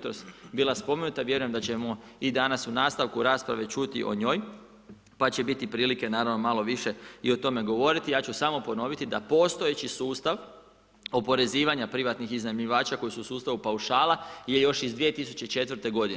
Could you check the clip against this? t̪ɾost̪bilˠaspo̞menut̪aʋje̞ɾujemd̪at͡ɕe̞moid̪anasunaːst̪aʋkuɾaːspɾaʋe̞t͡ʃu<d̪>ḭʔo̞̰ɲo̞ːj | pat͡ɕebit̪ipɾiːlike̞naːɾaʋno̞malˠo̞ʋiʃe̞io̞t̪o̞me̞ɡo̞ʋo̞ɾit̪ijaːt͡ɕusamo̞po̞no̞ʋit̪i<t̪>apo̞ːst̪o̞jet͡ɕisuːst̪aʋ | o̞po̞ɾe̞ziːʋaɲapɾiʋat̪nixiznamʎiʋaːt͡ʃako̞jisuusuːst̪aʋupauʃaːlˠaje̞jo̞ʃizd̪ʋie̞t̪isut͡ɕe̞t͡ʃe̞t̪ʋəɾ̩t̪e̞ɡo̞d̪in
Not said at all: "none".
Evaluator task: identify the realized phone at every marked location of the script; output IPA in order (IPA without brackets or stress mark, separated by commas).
t̪, d̪